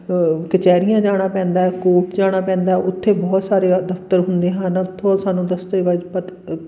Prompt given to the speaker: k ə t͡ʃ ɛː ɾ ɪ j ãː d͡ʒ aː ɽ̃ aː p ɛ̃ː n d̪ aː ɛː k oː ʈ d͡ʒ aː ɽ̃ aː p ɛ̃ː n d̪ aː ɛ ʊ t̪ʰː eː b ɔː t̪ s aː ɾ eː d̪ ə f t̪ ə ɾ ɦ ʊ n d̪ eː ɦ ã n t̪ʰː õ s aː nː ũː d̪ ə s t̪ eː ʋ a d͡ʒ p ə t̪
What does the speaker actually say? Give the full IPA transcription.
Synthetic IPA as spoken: k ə t͡ʃ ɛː ɾ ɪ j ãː d͡ʒ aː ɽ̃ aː p ɛ̃ː n d̪ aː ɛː k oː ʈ d͡ʒ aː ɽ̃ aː p ɛ̃ː n d̪ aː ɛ ʊ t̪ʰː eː b ɔː t̪ s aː ɾ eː d̪ ə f t̪ ə ɾ ɦ ʊ n d̪ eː ɦ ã n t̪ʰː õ s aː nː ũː d̪ ə s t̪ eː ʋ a d͡ʒ p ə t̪